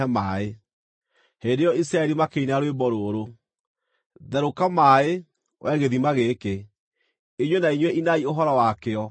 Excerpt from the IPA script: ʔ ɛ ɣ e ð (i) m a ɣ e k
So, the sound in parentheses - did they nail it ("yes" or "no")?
yes